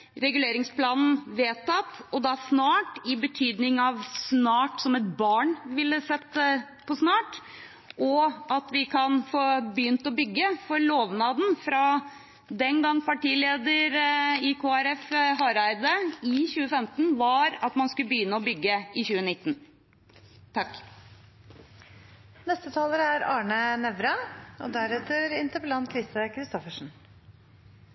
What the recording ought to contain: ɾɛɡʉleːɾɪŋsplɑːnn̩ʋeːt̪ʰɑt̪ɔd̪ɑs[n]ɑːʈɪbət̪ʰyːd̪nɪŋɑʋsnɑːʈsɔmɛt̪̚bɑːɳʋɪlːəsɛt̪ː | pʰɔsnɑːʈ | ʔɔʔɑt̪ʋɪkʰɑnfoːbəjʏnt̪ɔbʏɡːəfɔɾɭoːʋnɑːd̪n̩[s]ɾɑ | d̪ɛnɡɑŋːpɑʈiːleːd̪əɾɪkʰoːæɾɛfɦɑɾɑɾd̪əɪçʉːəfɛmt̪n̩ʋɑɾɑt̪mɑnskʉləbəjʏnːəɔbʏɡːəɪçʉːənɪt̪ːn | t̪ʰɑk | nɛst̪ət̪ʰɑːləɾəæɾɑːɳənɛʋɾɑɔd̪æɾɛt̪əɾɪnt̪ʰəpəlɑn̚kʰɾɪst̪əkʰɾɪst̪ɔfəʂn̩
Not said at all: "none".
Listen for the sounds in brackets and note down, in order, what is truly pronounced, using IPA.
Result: n, f

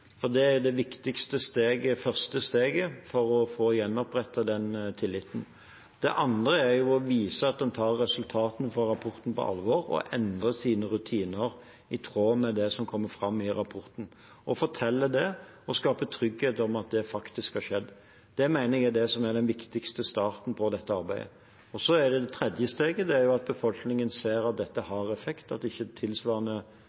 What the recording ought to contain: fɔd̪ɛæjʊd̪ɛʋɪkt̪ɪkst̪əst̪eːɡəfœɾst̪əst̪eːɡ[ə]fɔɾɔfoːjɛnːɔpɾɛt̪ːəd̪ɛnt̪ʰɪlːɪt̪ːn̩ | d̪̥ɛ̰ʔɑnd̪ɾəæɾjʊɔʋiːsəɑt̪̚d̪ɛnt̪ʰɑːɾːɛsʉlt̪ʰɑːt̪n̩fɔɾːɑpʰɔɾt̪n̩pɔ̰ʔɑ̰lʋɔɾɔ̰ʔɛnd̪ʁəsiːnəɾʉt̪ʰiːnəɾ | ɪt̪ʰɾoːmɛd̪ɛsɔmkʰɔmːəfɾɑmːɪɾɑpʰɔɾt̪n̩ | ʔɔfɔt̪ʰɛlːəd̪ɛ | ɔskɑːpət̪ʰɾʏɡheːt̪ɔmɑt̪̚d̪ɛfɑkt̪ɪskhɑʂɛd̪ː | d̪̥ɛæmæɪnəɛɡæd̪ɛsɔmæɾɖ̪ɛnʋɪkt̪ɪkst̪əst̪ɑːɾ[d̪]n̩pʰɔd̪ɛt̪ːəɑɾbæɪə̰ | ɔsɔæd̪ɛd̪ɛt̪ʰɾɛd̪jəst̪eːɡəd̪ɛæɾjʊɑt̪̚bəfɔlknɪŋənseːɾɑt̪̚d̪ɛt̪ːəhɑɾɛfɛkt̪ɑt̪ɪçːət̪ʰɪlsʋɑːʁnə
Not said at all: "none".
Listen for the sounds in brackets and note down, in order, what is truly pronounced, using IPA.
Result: ə, t̪

